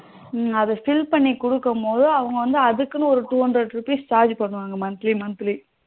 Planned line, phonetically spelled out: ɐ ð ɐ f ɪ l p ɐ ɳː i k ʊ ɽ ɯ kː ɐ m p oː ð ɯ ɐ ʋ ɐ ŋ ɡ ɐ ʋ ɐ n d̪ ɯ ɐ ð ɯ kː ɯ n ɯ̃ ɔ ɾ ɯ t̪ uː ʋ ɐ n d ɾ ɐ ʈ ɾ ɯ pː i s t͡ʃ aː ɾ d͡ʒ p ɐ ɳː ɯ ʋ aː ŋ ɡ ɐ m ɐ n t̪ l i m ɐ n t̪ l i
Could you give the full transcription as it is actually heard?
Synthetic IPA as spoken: ɐ ð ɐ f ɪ l p ɐ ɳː i k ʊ ɽ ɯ kː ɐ m p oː ð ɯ ɐ ʋ ɐ ŋ ɡ ɐ ʋ ɐ n d̪ ɯ ɐ ð ɯ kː ɯ n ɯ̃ ɔ ɾ ɯ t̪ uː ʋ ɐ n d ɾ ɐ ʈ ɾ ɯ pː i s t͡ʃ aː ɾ d͡ʒ p ɐ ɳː ɯ ʋ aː ŋ ɡ ɐ m ɐ n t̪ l i m ɐ n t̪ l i